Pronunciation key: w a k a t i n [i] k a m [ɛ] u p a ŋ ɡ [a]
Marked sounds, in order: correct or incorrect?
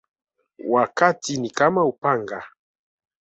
correct, incorrect: a, correct

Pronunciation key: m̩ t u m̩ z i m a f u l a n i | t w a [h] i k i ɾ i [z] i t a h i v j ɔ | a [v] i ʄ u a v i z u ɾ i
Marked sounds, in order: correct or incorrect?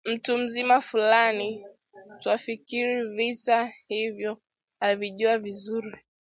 incorrect: f, incorrect: v, correct

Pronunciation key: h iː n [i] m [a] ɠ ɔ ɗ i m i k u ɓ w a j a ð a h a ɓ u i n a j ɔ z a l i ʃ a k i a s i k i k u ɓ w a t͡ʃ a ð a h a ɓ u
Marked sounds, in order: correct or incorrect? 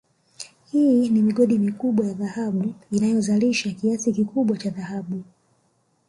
correct, incorrect: i

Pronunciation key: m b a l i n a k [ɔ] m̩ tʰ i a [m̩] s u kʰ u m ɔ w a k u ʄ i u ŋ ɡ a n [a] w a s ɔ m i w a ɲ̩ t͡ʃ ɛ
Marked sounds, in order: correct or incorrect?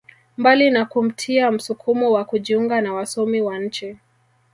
incorrect: u, correct, correct

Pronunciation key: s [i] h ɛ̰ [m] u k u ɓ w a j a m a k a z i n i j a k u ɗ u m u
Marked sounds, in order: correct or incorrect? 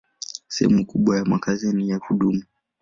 incorrect: ɛ, correct

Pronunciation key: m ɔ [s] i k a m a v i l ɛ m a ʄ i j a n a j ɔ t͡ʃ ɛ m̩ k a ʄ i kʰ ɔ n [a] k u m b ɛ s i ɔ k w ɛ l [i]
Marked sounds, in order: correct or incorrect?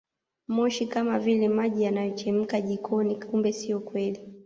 incorrect: ʃ, incorrect: i, correct

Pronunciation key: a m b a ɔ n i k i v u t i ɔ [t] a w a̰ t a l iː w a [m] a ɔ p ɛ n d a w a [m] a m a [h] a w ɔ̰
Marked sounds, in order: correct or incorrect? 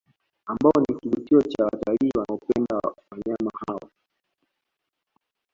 incorrect: t͡ʃ, incorrect: n, incorrect: ɲ, correct

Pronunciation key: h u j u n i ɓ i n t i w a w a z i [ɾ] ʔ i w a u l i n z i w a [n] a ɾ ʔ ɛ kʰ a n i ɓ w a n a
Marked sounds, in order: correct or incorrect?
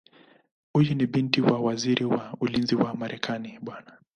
correct, incorrect: m

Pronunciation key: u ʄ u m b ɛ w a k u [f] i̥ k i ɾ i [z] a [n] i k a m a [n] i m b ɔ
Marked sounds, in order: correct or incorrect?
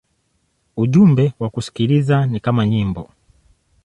incorrect: s, correct, correct, incorrect: ɲ

